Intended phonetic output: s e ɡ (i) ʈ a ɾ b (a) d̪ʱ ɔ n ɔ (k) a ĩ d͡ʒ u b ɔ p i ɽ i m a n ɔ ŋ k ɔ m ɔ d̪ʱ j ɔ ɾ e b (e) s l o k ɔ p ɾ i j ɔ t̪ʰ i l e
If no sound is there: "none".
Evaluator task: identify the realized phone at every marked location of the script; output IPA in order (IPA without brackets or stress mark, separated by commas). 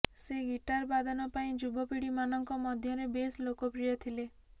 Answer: i, a, p, e